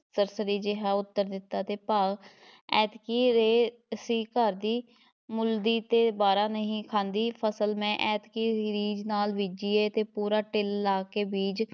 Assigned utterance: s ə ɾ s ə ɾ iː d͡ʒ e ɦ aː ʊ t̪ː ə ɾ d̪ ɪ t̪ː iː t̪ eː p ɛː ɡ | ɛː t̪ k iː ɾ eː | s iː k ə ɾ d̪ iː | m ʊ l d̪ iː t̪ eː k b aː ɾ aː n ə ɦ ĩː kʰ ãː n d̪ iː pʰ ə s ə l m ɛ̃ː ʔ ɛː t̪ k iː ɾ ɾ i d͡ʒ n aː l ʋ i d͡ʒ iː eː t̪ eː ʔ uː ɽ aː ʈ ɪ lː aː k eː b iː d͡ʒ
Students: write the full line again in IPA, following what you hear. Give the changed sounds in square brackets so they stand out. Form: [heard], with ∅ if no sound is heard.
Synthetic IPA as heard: s ə ɾ s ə ɾ iː d͡ʒ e ɦ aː ʊ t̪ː ə ɾ d̪ ɪ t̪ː [aː] t̪ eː p [aː] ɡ | ɛː t̪ k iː ɾ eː | s iː k ə ɾ d̪ iː | m ʊ l d̪ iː t̪ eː [∅] b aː ɾ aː n ə ɦ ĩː kʰ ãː n d̪ iː pʰ ə s ə l m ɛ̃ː ʔ ɛː t̪ k iː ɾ ɾ [iː] d͡ʒ n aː l ʋ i d͡ʒ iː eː t̪ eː [p] uː [ɾ] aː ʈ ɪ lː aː k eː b iː d͡ʒ